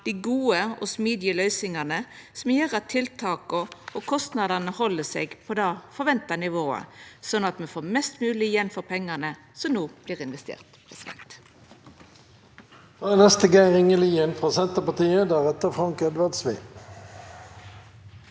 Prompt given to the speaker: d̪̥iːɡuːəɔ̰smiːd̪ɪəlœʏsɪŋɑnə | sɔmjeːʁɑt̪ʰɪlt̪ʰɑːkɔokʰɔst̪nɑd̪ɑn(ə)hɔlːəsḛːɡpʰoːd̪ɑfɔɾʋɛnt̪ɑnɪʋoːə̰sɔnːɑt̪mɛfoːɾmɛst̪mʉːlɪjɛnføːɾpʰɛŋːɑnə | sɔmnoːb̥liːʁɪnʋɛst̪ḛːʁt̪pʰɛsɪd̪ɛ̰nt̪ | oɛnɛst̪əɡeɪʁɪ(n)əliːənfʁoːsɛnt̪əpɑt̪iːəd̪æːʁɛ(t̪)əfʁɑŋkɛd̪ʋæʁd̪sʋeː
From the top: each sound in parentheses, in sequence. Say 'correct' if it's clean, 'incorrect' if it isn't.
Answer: correct, incorrect: ŋ, correct

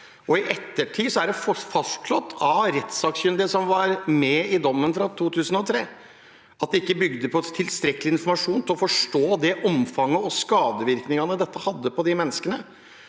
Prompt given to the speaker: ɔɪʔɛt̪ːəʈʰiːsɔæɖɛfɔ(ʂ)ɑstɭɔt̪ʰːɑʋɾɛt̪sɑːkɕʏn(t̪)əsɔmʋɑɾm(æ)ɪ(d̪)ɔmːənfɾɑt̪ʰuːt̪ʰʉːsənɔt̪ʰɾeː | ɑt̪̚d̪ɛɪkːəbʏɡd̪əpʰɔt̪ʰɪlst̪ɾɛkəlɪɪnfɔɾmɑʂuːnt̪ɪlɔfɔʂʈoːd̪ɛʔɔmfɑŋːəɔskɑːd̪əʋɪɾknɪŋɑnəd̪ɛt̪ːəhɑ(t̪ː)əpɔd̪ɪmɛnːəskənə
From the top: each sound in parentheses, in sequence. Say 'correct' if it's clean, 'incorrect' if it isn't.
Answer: incorrect: f, incorrect: d̪, incorrect: ɛ, correct, incorrect: d̪ː

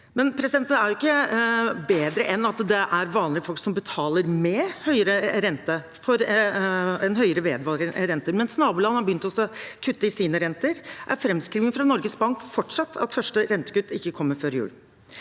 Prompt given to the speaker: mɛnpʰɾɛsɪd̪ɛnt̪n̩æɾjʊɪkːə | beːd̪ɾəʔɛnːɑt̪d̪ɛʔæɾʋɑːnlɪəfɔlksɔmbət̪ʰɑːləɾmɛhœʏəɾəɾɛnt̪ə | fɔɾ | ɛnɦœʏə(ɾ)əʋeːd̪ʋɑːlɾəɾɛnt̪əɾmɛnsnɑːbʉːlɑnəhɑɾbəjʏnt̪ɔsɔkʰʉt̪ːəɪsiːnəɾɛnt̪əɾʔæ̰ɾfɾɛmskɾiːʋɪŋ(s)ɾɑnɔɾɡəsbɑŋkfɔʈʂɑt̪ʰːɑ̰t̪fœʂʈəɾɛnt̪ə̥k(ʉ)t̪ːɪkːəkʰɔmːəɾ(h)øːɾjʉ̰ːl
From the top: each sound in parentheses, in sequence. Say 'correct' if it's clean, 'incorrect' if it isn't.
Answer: correct, incorrect: f, correct, incorrect: f

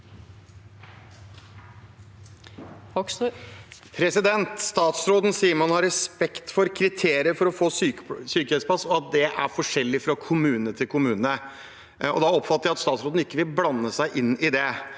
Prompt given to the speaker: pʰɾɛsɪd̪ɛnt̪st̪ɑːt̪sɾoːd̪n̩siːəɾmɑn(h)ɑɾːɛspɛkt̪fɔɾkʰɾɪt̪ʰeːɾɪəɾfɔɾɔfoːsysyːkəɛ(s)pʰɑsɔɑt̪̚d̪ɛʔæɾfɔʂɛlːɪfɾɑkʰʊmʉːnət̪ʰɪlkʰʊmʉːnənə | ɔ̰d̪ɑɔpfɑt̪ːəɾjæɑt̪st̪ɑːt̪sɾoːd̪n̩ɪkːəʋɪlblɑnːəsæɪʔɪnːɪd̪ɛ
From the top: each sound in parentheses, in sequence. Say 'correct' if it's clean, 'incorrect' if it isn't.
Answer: correct, correct

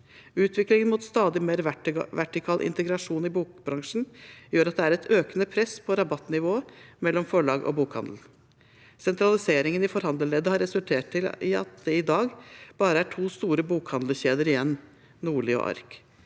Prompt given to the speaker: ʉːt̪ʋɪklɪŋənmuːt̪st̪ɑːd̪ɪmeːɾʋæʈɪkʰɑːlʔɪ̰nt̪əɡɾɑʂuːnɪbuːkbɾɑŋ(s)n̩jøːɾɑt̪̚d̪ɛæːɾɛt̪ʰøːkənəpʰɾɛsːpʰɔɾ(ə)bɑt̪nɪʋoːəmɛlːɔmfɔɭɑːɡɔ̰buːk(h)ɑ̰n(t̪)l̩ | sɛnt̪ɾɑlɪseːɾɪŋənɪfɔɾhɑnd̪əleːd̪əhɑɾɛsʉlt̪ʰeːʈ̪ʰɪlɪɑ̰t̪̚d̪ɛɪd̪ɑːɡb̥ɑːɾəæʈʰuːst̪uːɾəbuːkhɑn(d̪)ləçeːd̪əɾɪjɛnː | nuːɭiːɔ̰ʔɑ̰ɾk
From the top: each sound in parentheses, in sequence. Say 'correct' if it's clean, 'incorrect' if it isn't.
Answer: incorrect: ʂ, incorrect: ɑ, correct, incorrect: d̪, correct

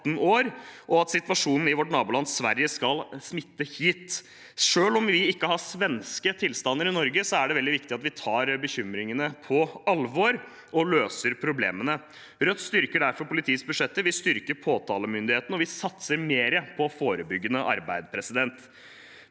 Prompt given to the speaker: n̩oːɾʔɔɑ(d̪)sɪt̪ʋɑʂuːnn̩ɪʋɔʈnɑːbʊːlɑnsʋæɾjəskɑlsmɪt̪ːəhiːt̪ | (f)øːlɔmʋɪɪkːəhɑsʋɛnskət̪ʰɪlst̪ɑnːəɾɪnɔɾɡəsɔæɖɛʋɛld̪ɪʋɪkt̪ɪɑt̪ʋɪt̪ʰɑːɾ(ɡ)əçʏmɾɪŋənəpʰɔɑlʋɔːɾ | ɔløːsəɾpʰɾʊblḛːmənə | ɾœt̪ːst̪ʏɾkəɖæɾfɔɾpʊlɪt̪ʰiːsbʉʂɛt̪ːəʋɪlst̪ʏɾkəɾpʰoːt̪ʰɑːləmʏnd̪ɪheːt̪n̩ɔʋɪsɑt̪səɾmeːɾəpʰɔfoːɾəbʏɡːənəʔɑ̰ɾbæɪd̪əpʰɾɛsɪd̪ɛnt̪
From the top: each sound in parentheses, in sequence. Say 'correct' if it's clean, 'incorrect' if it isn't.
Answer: incorrect: t̪, incorrect: ʂ, incorrect: b

